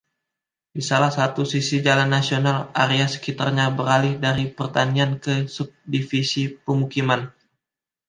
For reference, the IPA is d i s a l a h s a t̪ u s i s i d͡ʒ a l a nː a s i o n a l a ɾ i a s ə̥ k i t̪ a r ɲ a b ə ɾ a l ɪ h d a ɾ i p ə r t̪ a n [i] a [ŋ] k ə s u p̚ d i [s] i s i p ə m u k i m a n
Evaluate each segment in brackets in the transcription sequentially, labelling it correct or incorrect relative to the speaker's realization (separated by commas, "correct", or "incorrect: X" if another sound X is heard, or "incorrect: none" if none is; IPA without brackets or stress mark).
correct, incorrect: n, incorrect: f